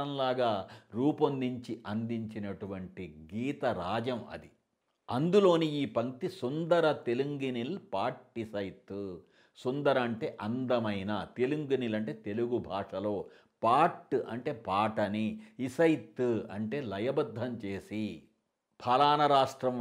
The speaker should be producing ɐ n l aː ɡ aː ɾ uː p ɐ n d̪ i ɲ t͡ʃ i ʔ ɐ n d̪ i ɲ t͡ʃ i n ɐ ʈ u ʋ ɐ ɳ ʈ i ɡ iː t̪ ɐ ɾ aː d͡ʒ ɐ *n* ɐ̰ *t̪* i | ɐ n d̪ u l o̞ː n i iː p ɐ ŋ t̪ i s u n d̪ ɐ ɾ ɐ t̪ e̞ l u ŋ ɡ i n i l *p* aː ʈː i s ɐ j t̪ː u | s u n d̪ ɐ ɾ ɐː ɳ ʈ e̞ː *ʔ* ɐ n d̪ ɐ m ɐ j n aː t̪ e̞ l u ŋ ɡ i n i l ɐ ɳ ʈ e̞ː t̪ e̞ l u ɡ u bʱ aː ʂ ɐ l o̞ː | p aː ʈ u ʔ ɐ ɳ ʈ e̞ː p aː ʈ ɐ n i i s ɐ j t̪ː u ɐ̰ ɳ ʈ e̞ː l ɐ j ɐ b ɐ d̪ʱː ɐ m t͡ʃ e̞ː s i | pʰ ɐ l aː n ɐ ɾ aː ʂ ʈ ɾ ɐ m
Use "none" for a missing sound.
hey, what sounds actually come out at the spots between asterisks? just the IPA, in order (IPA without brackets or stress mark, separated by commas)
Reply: m, d̪, p, ʔ